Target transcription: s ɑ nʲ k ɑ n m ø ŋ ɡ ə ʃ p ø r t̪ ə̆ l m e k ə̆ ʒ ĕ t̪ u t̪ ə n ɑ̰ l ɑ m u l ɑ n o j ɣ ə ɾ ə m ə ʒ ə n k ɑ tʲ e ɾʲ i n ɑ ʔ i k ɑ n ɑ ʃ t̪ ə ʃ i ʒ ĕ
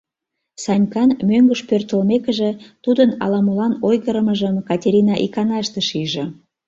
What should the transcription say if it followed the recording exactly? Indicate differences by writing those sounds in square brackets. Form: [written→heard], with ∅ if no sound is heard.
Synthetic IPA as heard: s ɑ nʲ k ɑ n m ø ŋ ɡ ə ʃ p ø r t̪ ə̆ l m e k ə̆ ʒ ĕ t̪ u [t̪→d̪] ə n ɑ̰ l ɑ m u l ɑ n o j ɣ ə ɾ ə m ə ʒ ə [n→m] k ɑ tʲ e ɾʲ i n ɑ ʔ i k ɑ n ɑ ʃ t̪ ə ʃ i ʒ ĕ